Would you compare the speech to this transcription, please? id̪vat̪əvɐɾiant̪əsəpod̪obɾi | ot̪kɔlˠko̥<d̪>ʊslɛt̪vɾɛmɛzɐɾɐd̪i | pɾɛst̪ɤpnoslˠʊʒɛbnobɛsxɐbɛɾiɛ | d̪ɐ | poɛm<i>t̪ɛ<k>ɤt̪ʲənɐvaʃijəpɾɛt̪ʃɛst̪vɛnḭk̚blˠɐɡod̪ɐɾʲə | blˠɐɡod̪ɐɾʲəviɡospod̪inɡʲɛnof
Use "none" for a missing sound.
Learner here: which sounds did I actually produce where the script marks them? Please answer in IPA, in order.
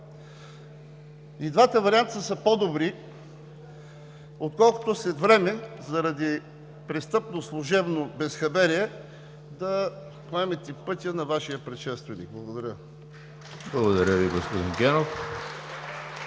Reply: t̪, ɛ, p

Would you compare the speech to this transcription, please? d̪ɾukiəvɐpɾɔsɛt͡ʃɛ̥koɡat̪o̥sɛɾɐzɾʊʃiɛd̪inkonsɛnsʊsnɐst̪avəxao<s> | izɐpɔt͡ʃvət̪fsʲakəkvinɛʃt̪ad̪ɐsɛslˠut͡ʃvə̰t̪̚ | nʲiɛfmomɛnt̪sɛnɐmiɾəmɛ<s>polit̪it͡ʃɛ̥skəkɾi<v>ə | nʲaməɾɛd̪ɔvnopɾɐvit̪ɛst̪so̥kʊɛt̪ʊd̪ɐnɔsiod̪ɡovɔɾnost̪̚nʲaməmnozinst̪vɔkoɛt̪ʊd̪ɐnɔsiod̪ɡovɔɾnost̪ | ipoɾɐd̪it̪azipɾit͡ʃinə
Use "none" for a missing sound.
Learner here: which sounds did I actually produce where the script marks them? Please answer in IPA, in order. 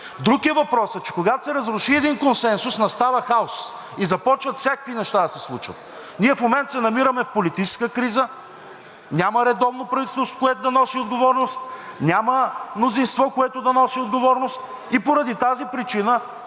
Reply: s, f, z

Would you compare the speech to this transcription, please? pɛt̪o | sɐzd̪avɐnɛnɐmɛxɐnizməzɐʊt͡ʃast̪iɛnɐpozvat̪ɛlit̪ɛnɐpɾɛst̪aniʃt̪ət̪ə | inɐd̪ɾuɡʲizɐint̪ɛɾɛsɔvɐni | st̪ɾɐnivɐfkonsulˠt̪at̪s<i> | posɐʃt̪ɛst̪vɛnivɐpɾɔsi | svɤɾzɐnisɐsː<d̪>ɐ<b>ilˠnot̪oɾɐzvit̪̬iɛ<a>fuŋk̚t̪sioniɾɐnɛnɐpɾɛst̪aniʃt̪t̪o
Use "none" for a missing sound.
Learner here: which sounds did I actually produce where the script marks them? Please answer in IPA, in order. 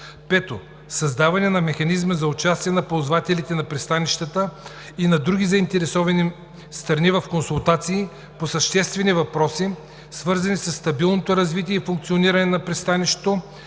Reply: iː, t̪, b, i

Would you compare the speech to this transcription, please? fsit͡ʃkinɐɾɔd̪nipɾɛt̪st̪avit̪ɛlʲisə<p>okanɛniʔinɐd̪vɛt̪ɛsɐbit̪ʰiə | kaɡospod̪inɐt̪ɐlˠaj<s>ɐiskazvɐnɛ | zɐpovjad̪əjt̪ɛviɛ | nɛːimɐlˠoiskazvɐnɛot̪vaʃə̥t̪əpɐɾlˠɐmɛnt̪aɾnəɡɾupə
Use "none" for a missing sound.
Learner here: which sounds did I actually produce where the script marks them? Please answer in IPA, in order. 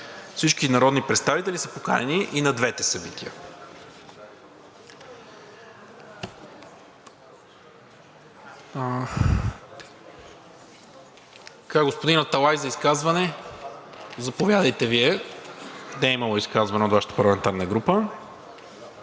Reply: p, z

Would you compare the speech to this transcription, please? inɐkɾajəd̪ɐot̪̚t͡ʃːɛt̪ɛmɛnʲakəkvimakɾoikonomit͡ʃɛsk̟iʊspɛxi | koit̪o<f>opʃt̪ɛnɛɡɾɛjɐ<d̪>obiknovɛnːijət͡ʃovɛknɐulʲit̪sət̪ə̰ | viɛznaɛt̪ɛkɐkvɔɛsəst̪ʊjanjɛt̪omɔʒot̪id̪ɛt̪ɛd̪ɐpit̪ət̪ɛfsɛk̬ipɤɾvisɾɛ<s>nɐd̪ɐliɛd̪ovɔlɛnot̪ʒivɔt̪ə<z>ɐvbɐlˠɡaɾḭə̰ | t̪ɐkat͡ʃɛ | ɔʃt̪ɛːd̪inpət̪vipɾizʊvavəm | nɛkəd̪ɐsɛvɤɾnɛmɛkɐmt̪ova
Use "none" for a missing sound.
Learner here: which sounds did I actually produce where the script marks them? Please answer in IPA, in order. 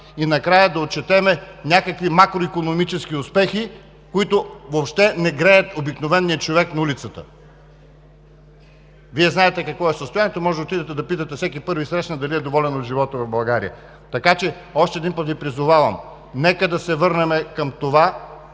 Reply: v, t̪, ʃ, v

